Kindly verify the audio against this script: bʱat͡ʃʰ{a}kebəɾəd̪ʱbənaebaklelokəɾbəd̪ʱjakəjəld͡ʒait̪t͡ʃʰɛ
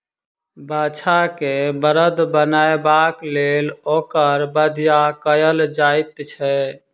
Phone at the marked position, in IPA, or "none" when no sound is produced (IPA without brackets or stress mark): a